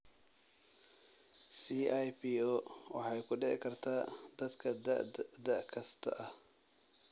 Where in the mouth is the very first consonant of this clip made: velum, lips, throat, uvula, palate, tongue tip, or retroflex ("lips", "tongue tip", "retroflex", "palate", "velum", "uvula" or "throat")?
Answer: tongue tip